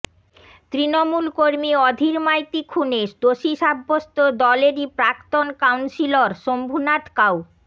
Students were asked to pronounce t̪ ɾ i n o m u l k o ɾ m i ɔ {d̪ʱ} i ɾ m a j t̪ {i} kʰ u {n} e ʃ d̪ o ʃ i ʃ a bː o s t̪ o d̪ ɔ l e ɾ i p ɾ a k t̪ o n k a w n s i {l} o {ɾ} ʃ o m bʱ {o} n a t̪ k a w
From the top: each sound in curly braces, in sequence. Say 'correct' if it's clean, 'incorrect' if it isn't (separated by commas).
correct, correct, correct, correct, correct, incorrect